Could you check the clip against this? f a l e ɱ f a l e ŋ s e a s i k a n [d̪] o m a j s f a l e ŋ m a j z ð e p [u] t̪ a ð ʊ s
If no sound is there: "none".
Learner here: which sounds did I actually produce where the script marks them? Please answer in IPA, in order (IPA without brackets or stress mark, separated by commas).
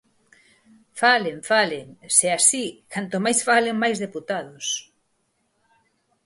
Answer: t̪, u